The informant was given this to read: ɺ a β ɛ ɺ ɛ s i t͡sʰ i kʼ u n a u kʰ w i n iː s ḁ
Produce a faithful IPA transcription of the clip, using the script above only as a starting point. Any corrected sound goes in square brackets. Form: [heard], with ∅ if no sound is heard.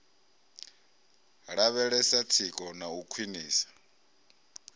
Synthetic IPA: ɺ a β ɛ ɺ ɛ s [a] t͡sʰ i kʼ [ɔ] n a u kʰ w i n iː s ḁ